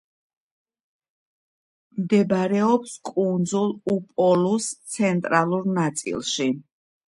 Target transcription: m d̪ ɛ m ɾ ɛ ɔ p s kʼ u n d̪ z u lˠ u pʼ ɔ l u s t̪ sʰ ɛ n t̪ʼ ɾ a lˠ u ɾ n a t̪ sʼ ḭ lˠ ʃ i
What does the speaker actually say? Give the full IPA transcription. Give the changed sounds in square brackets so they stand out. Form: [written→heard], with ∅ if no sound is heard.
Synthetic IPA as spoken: m d̪ ɛ [m→b] ɾ ɛ ɔ p s kʼ u n d̪ z u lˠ u pʼ ɔ l u s t̪ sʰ ɛ n t̪ʼ ɾ a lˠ u ɾ n a t̪ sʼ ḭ lˠ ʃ i